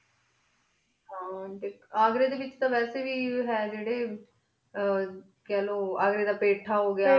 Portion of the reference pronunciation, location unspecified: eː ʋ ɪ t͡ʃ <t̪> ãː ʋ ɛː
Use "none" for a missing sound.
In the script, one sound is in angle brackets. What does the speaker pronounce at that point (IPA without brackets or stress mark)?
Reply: t̪